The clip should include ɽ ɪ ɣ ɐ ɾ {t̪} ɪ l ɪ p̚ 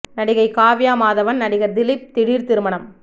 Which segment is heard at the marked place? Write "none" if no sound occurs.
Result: d̪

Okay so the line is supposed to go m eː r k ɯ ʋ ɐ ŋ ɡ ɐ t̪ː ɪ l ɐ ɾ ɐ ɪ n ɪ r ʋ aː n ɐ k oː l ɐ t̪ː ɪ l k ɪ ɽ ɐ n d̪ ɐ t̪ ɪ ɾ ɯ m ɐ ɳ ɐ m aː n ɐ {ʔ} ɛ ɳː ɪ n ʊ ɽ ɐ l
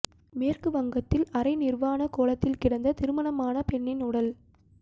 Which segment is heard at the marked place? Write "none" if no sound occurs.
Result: p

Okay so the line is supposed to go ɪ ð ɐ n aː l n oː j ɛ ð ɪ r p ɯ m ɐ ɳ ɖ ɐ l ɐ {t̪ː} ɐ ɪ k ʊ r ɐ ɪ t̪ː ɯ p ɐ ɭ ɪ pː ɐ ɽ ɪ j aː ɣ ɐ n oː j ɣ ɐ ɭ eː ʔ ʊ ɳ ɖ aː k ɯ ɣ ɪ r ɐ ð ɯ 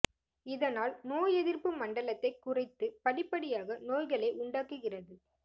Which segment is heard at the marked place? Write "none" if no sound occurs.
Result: t̪ː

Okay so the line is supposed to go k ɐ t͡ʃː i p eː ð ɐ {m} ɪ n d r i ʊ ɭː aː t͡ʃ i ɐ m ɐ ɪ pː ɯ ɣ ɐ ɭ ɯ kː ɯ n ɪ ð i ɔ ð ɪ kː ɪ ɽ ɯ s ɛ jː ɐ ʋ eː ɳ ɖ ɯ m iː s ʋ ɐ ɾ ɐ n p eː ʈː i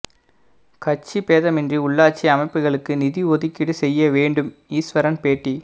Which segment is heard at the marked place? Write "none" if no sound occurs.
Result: m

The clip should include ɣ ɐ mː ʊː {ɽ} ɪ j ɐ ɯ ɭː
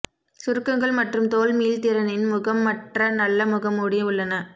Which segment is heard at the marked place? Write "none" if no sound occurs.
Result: ɽ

